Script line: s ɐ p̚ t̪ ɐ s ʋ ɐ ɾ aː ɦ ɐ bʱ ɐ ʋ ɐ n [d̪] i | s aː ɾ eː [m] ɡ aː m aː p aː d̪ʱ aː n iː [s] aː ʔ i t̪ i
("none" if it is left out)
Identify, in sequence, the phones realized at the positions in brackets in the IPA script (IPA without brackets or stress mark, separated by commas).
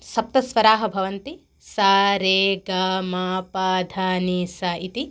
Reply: t̪, none, s